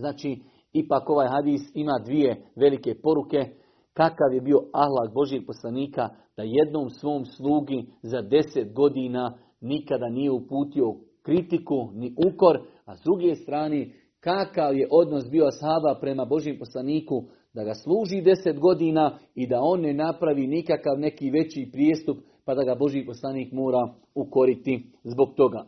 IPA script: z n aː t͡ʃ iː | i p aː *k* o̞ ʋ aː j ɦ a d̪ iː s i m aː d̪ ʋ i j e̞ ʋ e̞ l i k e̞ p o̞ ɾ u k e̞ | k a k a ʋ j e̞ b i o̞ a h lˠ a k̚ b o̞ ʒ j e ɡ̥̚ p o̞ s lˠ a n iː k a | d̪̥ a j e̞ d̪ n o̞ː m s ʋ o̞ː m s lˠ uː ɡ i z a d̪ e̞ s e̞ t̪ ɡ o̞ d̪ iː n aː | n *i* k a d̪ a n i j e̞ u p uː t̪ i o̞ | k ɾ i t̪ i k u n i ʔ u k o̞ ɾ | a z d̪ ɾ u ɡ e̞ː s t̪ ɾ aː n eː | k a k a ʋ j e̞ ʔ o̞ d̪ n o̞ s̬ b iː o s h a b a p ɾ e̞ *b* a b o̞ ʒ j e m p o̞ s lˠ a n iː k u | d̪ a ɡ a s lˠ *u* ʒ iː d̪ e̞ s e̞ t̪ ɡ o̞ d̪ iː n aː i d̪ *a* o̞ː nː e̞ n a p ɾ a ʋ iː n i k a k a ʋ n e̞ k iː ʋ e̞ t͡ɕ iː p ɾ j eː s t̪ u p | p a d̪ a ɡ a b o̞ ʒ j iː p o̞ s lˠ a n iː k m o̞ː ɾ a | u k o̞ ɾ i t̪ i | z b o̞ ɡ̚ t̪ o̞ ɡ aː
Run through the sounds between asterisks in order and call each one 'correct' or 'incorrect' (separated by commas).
correct, correct, incorrect, incorrect, correct